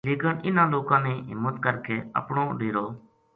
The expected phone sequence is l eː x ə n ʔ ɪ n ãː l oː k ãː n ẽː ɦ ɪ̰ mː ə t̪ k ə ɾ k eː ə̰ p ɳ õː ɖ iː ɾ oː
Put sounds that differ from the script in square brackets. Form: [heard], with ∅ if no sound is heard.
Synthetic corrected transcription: l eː [k] ə n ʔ ɪ n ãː l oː k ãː n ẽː ɦ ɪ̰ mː ə t̪ k ə ɾ k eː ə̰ p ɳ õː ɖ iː ɾ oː

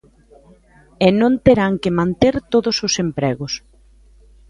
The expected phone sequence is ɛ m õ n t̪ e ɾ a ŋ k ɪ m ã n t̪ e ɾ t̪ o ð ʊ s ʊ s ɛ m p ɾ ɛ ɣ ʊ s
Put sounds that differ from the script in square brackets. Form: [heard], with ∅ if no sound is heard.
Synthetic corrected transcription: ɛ [n] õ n t̪ e ɾ a ŋ k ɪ m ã n t̪ e ɾ t̪ o ð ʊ s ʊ s [e] m p ɾ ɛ ɣ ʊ s

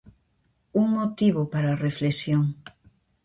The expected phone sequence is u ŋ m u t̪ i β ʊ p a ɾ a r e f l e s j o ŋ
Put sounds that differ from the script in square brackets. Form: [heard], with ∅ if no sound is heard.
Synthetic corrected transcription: u ŋ m [o] t̪ i β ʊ p a ɾ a r e f l e s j o ŋ

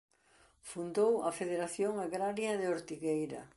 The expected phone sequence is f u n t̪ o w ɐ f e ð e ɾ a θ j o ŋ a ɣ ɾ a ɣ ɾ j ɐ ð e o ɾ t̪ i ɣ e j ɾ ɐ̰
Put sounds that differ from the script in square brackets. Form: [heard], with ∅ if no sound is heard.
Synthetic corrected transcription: f u n [d̪] o w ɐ f e ð e ɾ a θ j o ŋ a ɣ ɾ a [∅] ɾ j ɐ ð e o ɾ t̪ i ɣ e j ɾ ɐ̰

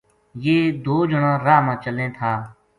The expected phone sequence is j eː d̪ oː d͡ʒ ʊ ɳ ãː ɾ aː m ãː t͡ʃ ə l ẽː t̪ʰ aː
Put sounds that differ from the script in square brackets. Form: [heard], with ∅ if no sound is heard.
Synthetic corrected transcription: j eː d̪ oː d͡ʒ ʊ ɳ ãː ɾ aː m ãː t͡ʃ ə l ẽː t̪ʰ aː

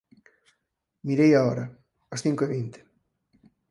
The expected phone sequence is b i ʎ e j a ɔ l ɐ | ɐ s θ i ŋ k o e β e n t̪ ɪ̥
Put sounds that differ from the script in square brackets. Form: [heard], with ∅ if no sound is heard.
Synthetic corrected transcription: [m] i [ɾ] e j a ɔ [ɾ] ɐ | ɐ s θ i ŋ k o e β [i] n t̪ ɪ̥

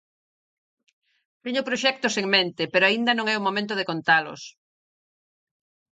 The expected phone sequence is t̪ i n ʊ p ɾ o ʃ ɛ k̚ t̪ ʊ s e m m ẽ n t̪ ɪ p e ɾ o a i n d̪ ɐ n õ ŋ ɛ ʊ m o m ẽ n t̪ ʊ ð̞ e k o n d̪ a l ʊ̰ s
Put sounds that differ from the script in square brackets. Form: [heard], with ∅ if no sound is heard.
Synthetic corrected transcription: t̪ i [ɲ] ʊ p ɾ o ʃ ɛ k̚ t̪ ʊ s e [ŋ] m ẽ n t̪ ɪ p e ɾ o a i n d̪ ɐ n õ ŋ ɛ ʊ m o m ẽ n t̪ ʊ ð̞ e k o n [t̪] a l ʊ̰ s

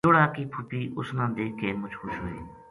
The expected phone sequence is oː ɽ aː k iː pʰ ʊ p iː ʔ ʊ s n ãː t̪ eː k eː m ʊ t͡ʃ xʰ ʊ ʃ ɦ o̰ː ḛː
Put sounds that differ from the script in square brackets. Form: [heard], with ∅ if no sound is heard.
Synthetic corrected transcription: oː ɽ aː k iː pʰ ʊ p iː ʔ ʊ s n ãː [d̪] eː k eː m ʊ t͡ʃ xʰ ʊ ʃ ɦ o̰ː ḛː

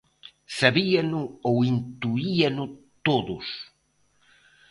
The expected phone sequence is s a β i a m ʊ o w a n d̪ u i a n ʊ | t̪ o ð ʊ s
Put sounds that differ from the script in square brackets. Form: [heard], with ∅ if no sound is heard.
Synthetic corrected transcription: s a β i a [n] ʊ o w [i] n [t̪] u i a n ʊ | t̪ o ð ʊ s

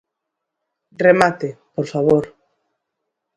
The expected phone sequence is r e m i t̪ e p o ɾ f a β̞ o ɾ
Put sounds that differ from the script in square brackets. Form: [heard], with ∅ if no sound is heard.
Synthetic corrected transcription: r e m [a] t̪ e p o ɾ f a β̞ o ɾ

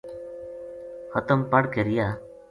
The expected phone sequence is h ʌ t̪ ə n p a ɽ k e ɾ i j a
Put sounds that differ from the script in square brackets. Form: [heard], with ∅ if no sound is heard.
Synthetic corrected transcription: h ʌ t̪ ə [m] p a ɽ k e ɾ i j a

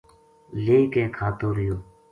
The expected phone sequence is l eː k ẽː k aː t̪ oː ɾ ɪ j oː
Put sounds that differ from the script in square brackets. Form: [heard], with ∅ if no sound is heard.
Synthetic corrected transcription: l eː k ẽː [kʰ] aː t̪ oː ɾ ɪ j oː

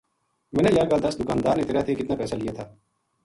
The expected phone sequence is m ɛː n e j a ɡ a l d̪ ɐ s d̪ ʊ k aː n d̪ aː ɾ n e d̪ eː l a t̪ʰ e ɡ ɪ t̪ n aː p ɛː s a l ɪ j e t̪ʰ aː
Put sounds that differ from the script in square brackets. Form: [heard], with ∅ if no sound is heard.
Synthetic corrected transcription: m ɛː n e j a ɡ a l d̪ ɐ s d̪ ʊ k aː n d̪ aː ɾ n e [t̪] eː [ɾ] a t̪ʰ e [k] ɪ t̪ n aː p ɛː s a l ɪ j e t̪ʰ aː

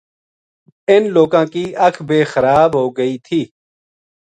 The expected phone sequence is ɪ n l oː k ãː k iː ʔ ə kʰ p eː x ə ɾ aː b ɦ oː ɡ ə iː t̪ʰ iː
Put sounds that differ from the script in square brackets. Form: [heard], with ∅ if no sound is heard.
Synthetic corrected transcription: ɪ n l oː k ãː k iː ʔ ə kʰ [b] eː x ə ɾ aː b ɦ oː ɡ ə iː t̪ʰ iː

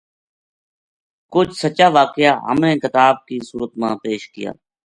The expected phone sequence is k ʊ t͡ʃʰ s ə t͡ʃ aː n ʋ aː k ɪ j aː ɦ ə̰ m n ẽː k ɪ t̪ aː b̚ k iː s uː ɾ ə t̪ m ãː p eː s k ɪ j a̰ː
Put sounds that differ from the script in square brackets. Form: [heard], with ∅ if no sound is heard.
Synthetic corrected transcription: k ʊ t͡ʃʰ s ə t͡ʃ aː [∅] ʋ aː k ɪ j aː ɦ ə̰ m n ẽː k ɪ t̪ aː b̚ k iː s uː ɾ ə t̪ m ãː p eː [ʃ] k ɪ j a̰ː

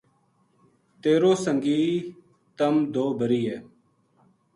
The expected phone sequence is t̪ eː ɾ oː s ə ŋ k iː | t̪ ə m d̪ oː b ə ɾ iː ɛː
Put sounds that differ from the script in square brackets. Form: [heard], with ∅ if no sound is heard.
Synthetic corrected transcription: t̪ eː ɾ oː s ə ŋ [ɡ] iː | t̪ ə m d̪ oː b ə ɾ iː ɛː

